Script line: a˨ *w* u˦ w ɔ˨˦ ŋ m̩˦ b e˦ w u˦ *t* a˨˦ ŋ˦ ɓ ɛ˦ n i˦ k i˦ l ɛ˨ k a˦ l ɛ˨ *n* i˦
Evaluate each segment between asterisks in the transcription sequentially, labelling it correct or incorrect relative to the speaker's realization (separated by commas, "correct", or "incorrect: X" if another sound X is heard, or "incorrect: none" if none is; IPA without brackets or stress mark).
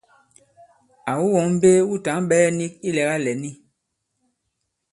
correct, correct, correct